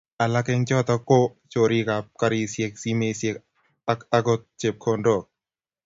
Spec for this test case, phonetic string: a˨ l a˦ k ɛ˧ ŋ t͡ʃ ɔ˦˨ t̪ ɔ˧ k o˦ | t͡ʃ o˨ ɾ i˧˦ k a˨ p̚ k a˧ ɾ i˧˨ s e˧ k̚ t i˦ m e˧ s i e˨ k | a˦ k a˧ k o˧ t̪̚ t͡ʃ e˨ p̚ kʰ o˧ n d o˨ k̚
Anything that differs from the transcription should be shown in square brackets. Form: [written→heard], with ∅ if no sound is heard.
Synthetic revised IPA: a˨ l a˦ k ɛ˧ ŋ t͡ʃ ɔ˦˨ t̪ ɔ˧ k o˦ | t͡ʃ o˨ ɾ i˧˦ k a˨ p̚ k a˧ ɾ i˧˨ s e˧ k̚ [t→s] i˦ m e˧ s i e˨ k | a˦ k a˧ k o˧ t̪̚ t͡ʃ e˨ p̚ kʰ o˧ n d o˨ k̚